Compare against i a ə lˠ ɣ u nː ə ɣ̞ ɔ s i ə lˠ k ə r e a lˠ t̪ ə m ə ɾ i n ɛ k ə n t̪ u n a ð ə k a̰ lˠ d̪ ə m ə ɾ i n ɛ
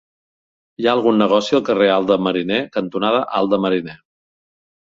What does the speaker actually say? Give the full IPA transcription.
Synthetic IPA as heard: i a ə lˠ ɣ u nː ə ɣ̞ ɔ s i ə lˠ k ə r e a lˠ d̪ ə m ə ɾ i n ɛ k ə n t̪ u n a ð ə ʔ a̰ lˠ d̪ ə m ə ɾ i n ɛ